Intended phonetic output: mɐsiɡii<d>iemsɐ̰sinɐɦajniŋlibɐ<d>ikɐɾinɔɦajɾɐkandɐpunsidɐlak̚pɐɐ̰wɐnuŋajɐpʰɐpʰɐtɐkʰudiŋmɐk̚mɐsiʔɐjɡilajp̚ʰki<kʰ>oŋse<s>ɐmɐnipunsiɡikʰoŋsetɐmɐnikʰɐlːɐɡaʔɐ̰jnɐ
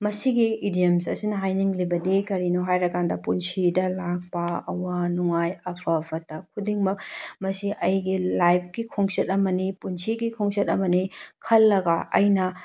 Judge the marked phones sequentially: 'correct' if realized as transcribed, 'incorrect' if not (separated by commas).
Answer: correct, correct, correct, incorrect